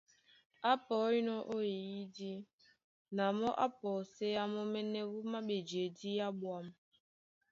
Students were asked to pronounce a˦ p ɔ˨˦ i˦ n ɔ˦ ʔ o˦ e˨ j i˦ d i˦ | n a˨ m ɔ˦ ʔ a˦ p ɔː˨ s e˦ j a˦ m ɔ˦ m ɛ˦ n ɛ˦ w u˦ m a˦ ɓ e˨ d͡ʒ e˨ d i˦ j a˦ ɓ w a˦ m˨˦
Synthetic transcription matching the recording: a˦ p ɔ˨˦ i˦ n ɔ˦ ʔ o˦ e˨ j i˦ d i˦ | n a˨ m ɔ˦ ʔ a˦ p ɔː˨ s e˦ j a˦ m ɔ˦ m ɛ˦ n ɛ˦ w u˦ m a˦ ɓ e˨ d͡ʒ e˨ d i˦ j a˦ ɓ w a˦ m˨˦